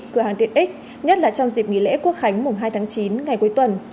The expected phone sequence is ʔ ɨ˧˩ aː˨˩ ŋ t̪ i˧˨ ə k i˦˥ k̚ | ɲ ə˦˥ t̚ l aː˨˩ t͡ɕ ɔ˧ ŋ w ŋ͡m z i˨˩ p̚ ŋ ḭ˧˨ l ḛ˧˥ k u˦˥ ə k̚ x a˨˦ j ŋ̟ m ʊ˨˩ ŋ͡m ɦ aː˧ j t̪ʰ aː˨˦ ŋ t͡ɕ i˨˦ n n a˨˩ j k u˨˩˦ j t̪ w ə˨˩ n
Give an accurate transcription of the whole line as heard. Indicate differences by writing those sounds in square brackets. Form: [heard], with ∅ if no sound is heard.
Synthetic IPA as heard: [k] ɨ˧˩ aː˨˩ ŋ t̪ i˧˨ ə [ʔ] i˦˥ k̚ | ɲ ə˦˥ t̚ l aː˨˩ t͡ɕ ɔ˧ [∅] w ŋ͡m z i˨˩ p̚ ŋ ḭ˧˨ l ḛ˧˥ k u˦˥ ə k̚ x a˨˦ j ŋ̟ m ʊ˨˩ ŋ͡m ɦ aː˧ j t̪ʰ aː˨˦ ŋ t͡ɕ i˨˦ n [ŋ] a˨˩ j k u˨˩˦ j t̪ w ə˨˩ n